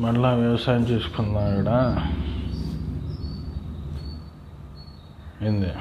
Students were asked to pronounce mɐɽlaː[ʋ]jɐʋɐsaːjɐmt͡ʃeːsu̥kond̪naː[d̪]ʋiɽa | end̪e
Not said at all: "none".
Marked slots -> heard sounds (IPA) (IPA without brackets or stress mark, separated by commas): ʋ, none